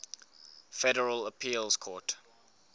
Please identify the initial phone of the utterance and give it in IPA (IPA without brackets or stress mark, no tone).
f